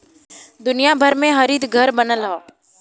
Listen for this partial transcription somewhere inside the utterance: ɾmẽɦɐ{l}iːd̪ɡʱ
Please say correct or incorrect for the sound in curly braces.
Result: incorrect